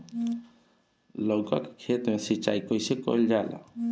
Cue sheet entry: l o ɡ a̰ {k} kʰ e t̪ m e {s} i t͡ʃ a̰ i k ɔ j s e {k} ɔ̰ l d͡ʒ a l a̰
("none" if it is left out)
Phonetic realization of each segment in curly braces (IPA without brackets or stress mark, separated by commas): k, s, k